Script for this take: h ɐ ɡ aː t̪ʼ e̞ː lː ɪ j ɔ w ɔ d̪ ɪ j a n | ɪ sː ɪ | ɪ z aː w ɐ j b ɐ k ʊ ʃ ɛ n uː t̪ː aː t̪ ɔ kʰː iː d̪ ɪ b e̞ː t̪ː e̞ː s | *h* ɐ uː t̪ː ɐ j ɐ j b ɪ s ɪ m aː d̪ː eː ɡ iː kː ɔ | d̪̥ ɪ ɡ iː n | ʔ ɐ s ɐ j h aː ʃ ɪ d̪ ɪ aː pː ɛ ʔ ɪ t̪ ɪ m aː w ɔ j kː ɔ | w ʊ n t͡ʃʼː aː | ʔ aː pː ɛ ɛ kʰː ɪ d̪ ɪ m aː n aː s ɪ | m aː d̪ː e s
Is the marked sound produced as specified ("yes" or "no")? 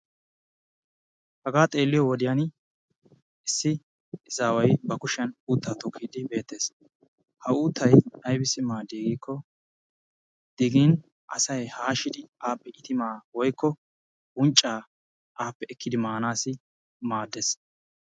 yes